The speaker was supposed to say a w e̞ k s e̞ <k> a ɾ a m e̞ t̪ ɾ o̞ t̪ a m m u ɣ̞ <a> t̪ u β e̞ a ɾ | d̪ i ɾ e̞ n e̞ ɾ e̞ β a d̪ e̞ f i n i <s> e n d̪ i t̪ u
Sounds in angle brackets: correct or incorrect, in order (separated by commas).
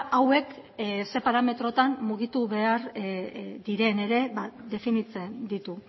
incorrect, incorrect, incorrect